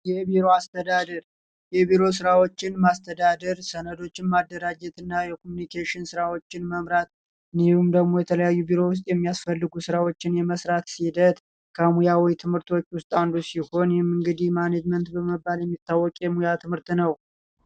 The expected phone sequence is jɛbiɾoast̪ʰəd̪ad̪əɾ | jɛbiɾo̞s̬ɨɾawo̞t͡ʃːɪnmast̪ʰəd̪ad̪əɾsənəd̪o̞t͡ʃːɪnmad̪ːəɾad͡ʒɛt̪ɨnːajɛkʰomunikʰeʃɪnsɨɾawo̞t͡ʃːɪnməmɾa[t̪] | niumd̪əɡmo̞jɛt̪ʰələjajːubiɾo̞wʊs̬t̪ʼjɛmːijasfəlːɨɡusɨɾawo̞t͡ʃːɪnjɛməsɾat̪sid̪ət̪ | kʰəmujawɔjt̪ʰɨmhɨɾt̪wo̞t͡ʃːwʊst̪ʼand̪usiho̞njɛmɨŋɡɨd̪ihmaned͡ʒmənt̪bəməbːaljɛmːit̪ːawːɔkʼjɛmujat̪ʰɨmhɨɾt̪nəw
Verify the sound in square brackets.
correct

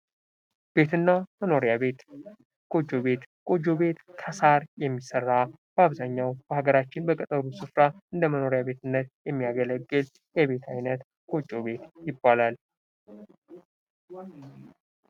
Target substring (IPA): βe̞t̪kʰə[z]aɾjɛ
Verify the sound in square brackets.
incorrect: s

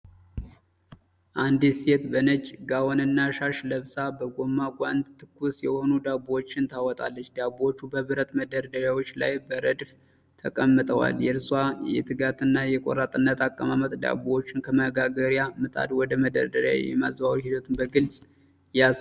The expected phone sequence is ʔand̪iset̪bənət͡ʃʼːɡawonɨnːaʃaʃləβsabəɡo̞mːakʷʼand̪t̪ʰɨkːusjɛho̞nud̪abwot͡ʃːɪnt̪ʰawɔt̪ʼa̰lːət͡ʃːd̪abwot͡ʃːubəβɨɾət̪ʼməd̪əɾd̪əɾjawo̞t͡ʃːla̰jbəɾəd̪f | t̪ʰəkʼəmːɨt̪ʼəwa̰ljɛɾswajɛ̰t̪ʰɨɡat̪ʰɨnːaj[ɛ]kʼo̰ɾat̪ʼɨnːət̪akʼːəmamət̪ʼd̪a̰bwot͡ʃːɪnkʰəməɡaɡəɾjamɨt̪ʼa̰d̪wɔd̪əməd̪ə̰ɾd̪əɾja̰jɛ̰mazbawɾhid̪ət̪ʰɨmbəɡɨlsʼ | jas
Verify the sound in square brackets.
correct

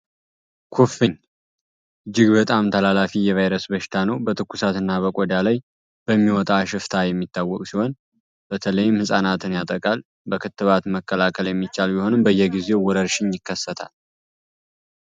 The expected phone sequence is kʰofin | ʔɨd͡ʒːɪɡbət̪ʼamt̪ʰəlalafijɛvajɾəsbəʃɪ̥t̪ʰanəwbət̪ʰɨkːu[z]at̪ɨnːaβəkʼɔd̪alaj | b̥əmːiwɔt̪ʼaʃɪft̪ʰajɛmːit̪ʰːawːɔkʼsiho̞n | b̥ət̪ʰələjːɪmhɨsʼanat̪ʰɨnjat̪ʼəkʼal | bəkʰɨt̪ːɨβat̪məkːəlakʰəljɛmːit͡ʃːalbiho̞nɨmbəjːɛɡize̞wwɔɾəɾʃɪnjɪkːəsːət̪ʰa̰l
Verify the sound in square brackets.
incorrect: s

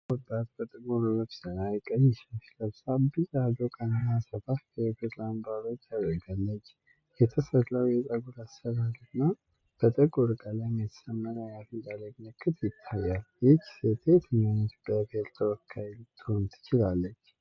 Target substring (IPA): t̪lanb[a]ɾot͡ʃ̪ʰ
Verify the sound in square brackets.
correct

